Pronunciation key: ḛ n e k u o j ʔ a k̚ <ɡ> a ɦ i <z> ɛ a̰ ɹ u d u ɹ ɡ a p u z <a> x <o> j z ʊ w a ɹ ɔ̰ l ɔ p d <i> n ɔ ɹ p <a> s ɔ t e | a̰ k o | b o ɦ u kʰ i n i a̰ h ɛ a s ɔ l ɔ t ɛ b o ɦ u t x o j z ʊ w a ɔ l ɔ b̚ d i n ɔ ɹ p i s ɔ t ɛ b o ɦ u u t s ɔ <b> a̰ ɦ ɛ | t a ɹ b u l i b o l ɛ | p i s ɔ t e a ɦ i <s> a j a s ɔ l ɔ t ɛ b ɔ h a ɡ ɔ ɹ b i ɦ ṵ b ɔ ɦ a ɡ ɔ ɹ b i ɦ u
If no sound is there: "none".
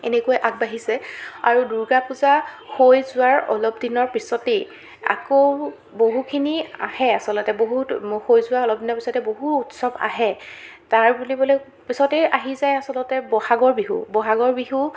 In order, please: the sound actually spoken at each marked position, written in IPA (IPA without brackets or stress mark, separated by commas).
b, s, a, o, i, i, b, z